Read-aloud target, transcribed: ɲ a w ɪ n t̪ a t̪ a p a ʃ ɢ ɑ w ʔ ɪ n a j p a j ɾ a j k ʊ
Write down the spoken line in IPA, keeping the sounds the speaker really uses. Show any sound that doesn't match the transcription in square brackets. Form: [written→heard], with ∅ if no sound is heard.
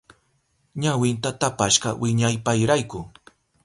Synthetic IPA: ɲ a w ɪ n t̪ a t̪ a p a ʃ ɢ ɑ w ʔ ɪ [n→ɲ] a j p a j ɾ a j k ʊ